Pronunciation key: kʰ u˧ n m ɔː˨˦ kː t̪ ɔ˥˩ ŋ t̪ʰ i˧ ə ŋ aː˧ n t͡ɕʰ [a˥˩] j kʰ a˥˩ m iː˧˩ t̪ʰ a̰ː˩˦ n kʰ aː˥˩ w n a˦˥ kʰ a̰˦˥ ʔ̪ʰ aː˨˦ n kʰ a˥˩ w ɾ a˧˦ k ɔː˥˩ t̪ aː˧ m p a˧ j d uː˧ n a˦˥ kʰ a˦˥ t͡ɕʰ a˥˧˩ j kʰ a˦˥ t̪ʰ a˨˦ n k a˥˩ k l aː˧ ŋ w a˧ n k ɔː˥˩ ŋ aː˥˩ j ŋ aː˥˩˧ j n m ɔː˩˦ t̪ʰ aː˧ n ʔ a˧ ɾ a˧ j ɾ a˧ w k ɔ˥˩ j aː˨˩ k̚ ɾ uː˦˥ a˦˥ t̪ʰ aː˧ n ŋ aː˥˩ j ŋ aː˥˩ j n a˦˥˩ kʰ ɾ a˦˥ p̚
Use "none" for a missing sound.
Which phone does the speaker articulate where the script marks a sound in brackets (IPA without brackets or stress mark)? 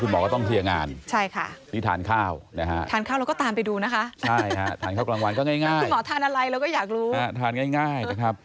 a˥˩